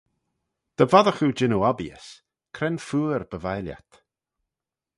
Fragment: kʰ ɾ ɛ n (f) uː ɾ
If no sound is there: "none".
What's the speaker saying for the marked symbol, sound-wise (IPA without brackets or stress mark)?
f